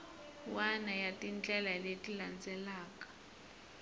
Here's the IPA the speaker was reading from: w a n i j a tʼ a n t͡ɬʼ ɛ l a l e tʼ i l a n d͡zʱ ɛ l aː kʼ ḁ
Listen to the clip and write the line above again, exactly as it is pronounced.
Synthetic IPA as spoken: w a n a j a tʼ i n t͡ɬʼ ɛ l a l e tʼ i l a n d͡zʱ ɛ l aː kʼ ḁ